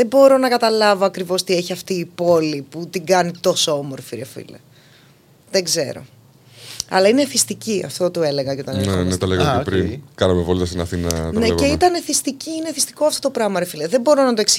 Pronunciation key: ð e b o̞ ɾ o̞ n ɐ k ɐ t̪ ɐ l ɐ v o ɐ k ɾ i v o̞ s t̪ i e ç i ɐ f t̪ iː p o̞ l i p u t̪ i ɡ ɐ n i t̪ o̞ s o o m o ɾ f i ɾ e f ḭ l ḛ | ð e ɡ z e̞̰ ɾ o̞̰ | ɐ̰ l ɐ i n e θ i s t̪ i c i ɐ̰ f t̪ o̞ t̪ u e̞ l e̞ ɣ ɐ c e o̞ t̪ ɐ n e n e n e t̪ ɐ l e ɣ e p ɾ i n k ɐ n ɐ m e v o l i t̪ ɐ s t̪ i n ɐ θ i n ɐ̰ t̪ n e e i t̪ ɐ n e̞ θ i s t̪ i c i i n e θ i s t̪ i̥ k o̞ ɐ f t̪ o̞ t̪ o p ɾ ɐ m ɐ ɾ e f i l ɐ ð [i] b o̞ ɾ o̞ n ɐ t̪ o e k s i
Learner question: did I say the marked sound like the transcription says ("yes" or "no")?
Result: no